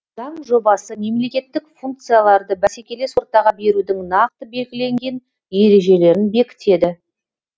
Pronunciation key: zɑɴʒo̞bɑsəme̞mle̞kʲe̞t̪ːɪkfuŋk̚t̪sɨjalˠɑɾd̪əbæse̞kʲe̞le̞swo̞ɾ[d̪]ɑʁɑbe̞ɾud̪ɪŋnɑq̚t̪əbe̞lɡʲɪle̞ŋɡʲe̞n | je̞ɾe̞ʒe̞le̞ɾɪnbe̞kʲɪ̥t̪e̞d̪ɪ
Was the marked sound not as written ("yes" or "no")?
yes